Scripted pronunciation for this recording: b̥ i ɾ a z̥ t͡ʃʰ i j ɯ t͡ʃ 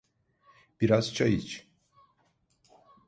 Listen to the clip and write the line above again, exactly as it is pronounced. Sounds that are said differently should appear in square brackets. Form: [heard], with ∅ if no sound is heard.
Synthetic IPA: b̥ i ɾ a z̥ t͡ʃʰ [a] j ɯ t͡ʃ